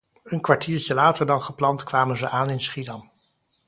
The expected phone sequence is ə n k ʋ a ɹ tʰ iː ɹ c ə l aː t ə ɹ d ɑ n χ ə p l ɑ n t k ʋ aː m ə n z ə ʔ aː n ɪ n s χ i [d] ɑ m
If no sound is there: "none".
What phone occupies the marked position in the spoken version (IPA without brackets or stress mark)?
d